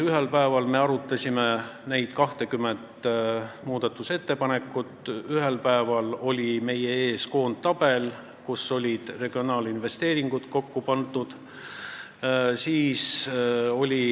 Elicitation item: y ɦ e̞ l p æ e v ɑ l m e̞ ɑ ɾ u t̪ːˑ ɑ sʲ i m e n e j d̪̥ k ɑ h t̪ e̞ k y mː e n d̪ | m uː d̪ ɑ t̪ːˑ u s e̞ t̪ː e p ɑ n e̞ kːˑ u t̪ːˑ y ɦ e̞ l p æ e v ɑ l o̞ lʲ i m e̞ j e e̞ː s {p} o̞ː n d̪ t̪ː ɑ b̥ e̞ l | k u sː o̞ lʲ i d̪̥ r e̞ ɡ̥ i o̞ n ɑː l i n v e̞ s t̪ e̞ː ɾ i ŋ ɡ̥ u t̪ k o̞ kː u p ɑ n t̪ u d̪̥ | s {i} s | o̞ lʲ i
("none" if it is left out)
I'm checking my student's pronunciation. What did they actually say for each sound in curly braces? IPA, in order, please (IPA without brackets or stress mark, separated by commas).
k, iː